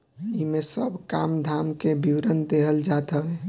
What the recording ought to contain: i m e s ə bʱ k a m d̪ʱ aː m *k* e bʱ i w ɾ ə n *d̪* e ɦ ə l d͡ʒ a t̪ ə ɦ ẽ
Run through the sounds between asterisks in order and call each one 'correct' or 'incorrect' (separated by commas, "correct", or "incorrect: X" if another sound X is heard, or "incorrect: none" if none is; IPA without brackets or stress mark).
correct, correct